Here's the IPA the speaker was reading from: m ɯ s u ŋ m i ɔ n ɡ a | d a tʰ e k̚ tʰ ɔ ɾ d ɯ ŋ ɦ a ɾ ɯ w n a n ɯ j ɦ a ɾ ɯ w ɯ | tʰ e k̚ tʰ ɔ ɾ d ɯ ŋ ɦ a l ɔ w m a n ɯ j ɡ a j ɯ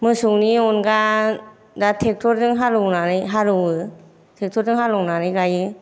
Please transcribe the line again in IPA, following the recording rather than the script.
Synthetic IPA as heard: m ɯ s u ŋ n i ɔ n ɡ a | d a tʰ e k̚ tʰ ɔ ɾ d ɯ ŋ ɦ a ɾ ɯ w n a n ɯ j ɦ a ɾ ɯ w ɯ | tʰ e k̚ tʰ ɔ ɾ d ɯ ŋ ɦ a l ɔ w n a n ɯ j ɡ a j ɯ